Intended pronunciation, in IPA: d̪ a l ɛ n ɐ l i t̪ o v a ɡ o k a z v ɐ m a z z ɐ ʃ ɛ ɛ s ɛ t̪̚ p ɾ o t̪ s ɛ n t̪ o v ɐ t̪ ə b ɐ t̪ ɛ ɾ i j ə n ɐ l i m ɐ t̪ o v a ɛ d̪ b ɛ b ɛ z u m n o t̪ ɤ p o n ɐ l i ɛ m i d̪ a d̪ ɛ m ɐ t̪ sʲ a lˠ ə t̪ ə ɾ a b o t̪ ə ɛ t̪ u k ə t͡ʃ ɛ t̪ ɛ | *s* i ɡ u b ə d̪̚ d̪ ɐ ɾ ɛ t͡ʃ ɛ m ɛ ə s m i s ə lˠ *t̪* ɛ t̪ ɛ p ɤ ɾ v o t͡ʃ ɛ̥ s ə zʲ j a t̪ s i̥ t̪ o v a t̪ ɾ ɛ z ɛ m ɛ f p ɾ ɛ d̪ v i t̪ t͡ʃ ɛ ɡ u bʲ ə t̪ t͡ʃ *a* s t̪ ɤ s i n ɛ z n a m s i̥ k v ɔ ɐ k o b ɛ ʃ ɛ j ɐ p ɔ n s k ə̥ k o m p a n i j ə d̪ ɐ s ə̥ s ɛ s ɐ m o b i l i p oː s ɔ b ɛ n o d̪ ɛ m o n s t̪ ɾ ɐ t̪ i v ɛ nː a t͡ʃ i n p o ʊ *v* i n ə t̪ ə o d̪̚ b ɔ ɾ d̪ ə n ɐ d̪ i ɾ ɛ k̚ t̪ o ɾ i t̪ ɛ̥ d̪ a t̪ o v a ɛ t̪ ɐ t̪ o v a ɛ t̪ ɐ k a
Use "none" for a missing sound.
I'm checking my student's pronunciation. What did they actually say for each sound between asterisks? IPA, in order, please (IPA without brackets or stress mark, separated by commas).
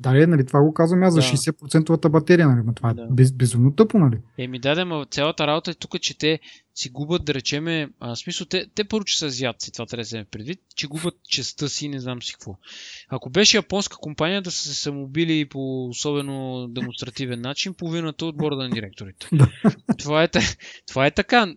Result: s, t̪, ɛ, v